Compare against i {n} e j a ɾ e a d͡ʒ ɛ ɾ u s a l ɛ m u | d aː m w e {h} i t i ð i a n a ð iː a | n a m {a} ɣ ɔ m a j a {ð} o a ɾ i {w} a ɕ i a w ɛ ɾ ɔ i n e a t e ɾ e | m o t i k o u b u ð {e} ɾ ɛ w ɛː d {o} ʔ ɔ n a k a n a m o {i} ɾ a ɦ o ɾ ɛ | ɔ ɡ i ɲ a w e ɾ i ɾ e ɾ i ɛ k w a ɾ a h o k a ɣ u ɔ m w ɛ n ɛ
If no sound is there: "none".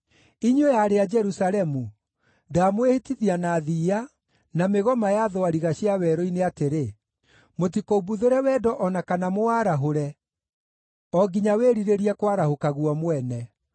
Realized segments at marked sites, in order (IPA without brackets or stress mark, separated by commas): ɲ, h, e, ð, ɣ, e, ɔ, a